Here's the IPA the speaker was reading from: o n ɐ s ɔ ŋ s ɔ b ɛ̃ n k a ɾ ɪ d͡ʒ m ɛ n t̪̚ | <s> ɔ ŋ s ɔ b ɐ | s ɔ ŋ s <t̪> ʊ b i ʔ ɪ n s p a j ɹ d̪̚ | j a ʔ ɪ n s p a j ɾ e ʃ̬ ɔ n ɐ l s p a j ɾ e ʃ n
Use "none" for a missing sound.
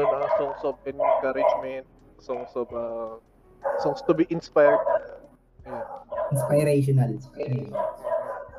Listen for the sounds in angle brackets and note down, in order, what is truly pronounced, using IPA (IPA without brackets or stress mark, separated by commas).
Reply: s, t̪